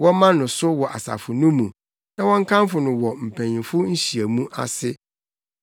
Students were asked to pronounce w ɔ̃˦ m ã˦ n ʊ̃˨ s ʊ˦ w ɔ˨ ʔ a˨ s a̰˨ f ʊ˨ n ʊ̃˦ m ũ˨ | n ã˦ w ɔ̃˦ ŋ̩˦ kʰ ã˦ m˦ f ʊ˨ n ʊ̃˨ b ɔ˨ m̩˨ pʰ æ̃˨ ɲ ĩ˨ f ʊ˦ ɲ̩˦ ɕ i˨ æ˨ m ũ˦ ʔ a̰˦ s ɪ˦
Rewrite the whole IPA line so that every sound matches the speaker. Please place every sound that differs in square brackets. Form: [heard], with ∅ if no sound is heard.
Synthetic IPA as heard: w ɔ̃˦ m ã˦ n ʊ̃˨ s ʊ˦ w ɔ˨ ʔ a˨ s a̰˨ f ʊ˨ n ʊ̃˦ m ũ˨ | n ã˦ w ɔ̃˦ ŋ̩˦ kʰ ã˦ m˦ f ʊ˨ n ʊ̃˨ [w] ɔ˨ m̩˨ pʰ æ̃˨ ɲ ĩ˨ f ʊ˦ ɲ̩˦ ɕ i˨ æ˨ m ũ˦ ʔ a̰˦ s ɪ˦